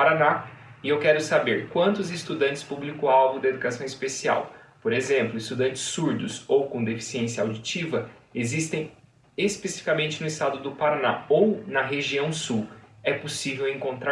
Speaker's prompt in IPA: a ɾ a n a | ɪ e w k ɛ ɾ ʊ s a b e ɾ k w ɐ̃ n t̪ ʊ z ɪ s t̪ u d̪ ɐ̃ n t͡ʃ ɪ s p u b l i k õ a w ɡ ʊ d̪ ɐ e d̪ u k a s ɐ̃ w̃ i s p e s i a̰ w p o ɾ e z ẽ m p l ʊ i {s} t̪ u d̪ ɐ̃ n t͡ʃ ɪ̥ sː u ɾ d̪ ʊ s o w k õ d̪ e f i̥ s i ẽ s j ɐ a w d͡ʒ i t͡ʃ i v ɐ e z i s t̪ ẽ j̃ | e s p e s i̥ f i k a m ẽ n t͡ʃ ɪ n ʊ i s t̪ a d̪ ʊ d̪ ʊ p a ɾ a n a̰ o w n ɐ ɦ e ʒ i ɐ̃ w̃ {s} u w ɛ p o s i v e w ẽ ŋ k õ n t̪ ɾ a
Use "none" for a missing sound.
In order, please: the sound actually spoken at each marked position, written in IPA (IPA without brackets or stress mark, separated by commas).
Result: s, s